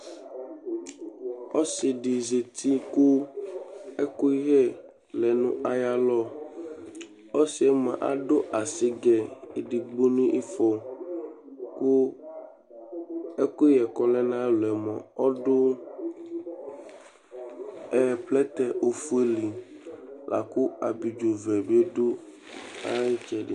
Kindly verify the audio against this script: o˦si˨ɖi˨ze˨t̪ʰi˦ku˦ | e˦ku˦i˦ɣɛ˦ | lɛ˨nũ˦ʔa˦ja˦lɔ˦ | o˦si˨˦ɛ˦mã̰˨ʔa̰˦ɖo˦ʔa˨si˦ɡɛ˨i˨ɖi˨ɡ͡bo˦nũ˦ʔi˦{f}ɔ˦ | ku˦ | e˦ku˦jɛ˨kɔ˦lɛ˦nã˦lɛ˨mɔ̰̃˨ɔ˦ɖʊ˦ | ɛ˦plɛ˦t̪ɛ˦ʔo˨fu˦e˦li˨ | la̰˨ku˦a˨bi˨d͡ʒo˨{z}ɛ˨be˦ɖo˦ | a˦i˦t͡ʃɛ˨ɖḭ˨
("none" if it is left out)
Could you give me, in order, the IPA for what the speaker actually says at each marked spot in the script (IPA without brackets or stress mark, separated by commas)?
f, v